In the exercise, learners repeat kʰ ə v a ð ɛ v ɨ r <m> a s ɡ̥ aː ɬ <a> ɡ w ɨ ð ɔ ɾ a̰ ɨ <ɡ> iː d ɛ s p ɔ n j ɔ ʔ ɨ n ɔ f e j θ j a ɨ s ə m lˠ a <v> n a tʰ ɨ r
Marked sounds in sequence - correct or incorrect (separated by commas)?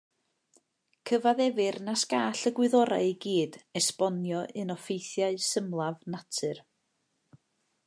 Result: incorrect, incorrect, correct, correct